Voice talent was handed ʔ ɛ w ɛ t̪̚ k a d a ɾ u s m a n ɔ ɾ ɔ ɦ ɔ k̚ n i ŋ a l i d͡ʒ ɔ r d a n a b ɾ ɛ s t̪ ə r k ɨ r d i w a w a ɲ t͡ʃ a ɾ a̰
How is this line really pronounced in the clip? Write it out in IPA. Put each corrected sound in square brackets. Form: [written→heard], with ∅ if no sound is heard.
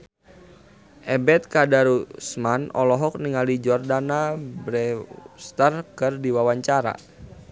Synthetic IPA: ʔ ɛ [w→b] ɛ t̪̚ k a d a ɾ u s m a n ɔ [ɾ→l] ɔ ɦ ɔ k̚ n i ŋ a l i d͡ʒ ɔ r d a n a b ɾ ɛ s t̪ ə r k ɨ r d i w a w a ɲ t͡ʃ a ɾ a̰